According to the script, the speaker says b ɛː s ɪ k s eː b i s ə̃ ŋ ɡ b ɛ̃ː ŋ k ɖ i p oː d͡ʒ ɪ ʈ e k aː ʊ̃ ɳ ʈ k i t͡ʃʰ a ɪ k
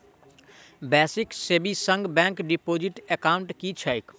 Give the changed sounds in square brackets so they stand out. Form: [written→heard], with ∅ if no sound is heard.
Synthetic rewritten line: b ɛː s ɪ k s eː b i s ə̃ ŋ ɡ b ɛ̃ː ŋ k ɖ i p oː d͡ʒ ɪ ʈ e k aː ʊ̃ ɳ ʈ k i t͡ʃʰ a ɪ k